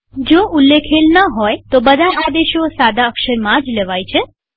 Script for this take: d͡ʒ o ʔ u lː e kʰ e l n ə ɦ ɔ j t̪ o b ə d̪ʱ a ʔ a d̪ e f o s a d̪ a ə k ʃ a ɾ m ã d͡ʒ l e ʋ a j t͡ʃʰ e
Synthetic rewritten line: d͡ʒ o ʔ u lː e kʰ e l n ə ɦ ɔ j t̪ o b ə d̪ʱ a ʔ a d̪ e ʃ o s a d̪ a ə k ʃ ə ɾ m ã d͡ʒ l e ʋ a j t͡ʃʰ e